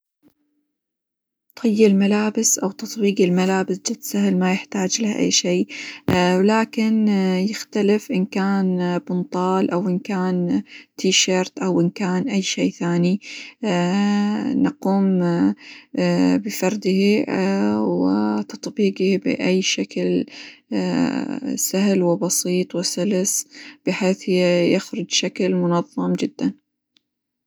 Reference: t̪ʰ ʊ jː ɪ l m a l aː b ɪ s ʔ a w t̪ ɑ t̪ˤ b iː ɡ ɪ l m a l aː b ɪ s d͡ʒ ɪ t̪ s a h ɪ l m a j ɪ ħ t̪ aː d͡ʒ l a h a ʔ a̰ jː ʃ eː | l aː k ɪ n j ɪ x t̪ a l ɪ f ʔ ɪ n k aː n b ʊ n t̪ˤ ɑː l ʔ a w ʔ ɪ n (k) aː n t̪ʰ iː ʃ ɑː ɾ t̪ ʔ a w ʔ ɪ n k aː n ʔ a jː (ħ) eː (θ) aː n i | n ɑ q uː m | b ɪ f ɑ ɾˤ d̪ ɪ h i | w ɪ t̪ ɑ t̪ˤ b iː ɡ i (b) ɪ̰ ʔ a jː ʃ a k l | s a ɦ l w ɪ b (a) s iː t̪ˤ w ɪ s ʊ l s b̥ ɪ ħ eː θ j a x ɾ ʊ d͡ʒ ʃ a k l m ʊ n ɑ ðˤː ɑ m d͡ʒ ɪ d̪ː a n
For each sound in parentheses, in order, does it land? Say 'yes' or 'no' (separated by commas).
yes, no, yes, yes, no